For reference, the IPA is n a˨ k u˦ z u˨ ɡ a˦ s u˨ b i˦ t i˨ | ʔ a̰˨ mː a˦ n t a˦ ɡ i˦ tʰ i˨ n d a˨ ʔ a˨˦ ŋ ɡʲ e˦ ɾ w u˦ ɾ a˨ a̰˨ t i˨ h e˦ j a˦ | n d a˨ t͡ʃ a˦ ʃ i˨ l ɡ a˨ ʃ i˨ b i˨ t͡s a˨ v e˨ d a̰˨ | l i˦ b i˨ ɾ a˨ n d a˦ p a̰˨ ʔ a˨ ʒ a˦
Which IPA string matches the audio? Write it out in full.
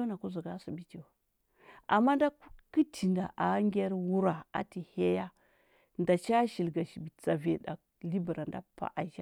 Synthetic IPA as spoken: n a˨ k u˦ z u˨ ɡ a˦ s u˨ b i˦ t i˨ | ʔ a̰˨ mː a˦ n d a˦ k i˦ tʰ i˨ n d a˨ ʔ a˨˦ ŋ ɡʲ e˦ ɾ w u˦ ɾ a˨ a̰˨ t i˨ h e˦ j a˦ | n d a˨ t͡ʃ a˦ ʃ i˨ l ɡ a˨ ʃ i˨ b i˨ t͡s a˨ v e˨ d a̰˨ | l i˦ b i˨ ɾ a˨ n d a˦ p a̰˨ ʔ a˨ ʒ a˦

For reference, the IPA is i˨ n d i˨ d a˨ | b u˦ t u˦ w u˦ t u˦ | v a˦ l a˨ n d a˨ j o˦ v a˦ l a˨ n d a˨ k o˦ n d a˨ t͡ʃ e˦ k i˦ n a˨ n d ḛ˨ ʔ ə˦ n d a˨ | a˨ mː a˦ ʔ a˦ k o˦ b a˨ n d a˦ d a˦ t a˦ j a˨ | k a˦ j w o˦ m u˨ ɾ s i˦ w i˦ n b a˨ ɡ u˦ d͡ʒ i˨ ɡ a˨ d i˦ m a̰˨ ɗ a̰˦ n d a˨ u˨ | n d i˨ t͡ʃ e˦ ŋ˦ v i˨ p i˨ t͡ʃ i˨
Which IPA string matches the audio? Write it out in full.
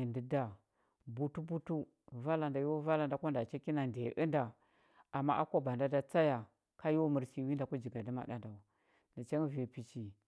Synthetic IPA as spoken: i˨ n d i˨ d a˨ | b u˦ t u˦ b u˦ t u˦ | v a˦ l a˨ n d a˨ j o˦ v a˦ l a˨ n d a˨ k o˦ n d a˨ t͡ʃ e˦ k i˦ n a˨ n d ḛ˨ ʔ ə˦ n d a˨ | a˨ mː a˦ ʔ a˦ k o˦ b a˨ n d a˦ d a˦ t͡s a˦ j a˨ | k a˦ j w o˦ m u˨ ɾ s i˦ w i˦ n d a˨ k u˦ d͡ʒ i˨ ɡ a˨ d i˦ m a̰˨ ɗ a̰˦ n d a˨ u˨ | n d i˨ t͡ʃ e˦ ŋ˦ v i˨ p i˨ t͡ʃ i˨

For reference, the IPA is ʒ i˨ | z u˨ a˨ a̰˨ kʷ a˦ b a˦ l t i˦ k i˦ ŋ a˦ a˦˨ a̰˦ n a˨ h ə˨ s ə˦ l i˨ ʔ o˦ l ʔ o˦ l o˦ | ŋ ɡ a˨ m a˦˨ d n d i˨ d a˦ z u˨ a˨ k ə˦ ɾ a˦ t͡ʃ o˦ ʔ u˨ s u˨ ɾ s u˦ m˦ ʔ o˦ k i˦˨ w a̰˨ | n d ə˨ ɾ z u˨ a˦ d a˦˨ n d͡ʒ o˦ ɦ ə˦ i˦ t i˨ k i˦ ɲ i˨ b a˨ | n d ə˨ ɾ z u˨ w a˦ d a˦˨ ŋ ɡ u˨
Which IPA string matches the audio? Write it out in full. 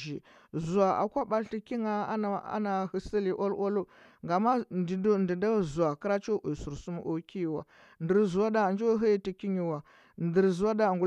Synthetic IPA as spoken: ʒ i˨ | z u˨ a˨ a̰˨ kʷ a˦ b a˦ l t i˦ k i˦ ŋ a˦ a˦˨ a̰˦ n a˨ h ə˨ s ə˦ l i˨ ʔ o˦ l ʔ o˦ l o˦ | ŋ ɡ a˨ m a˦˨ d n d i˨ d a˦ z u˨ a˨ k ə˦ ɾ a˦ t͡ʃ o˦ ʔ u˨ s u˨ ɾ s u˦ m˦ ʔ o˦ k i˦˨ w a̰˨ | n d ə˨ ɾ z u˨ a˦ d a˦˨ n d͡ʒ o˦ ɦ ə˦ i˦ t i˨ k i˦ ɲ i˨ w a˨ | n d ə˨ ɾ z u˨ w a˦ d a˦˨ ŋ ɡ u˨

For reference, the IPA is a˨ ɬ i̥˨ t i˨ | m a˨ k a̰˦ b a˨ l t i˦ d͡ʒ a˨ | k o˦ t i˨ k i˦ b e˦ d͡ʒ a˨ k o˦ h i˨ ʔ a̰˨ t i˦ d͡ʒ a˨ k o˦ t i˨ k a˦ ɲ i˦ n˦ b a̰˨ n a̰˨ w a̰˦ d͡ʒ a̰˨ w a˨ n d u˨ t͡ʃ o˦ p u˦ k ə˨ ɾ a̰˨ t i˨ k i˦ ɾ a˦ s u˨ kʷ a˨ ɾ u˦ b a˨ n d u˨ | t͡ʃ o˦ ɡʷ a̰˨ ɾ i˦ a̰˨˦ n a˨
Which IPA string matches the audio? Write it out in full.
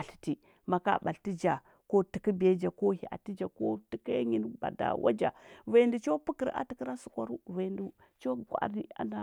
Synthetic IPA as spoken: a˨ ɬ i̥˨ t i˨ | m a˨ k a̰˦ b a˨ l t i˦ d͡ʒ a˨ | k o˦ t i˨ k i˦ b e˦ d͡ʒ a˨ k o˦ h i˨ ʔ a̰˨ t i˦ d͡ʒ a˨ k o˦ t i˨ k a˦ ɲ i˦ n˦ b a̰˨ d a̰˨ w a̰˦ d͡ʒ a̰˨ v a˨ n d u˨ t͡ʃ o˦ p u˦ k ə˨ ɾ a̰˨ t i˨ k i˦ ɾ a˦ s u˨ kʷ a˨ ɾ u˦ v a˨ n d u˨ | t͡ʃ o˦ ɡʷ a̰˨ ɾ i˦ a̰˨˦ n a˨

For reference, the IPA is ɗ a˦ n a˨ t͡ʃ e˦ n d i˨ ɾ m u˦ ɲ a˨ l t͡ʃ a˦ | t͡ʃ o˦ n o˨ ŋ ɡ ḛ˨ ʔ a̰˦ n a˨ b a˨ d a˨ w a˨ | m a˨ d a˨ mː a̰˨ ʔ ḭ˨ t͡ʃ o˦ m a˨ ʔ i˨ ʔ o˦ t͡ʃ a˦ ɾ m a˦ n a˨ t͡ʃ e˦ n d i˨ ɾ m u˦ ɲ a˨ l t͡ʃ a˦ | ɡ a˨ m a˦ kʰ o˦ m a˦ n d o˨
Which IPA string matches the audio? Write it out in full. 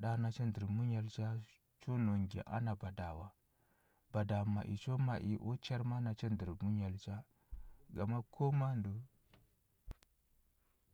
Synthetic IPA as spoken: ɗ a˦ n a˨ t͡ʃ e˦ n d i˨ ɾ m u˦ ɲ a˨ l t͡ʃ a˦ | t͡ʃ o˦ n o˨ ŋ ɡ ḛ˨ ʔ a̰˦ n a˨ b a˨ d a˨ w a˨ | b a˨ d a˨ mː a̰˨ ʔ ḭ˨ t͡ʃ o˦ m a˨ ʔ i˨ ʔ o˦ t͡ʃ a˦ ɾ m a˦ n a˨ t͡ʃ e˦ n d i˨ ɾ m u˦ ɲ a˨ l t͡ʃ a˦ | ɡ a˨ m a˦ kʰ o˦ m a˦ n d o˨

